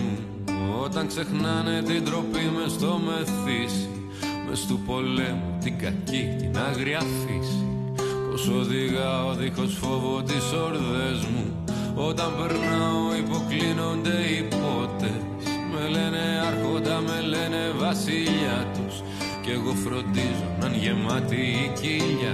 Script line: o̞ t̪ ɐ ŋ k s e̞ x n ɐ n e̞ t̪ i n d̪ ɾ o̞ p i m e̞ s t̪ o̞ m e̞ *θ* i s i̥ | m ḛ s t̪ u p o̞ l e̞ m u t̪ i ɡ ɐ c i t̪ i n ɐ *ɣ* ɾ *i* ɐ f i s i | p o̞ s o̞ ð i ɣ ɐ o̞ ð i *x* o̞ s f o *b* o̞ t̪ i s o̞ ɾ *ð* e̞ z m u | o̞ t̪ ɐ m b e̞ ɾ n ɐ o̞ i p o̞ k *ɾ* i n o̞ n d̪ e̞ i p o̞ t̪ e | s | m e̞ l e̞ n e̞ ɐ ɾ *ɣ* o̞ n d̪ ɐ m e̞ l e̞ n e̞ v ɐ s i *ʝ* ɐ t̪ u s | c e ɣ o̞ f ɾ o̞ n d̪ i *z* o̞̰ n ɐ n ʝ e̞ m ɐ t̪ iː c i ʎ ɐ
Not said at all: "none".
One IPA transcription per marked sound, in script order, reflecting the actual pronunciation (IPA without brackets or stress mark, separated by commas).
θ, ɣ, i, x, v, ð, l, x, ʎ, z